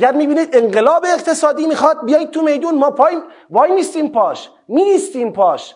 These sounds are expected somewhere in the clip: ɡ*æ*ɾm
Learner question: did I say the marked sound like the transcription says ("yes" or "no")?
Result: yes